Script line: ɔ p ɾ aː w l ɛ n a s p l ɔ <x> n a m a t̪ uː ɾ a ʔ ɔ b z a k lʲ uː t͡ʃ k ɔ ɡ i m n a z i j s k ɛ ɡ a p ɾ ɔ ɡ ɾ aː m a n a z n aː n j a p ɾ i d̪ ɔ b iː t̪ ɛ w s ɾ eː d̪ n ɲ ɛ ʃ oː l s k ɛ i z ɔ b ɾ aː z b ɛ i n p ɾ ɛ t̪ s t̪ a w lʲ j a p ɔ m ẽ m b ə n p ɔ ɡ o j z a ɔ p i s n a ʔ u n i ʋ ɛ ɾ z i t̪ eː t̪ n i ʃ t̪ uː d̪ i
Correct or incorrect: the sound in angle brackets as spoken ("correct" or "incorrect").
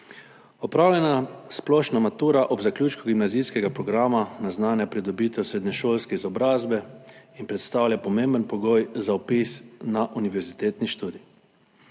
incorrect